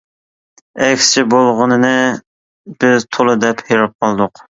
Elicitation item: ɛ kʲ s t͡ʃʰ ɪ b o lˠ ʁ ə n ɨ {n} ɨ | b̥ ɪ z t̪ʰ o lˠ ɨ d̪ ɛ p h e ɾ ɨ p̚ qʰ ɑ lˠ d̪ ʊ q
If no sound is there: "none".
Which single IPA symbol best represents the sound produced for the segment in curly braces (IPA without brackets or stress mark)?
n